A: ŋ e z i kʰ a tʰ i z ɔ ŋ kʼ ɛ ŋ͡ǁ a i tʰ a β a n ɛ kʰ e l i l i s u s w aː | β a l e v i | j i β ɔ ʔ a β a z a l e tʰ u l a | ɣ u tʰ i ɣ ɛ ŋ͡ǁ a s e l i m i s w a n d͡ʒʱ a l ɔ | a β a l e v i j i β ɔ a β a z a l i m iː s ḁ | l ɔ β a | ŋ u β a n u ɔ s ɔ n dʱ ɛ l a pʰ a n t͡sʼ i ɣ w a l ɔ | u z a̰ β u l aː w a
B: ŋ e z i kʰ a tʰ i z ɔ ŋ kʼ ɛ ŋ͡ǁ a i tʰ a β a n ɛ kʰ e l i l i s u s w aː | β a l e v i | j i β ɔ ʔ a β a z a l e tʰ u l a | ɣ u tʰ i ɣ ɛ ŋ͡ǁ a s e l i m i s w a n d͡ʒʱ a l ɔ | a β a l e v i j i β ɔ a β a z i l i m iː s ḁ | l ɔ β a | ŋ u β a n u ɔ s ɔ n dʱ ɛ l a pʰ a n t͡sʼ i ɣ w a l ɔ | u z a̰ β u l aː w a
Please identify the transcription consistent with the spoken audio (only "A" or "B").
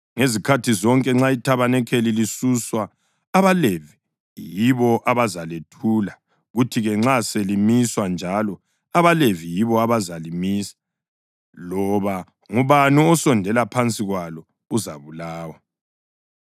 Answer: A